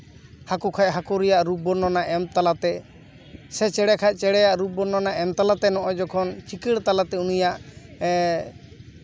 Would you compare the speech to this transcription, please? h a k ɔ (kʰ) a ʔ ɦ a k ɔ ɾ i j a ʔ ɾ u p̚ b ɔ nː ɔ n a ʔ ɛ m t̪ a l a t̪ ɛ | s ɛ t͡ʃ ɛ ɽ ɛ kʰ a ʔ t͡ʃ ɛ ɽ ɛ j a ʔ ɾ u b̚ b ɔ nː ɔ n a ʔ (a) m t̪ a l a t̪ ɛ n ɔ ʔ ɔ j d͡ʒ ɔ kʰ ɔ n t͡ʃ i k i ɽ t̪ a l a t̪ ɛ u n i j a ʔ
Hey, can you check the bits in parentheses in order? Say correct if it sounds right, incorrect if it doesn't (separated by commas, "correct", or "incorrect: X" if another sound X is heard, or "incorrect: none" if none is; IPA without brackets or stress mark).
correct, incorrect: ɛ